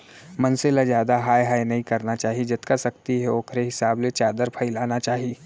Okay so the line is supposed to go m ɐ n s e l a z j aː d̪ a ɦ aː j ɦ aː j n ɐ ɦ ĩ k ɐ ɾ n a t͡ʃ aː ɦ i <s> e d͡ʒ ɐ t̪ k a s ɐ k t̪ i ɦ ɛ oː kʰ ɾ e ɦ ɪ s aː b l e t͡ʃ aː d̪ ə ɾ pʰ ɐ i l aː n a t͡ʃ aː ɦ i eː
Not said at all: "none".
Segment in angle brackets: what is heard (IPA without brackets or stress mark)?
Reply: none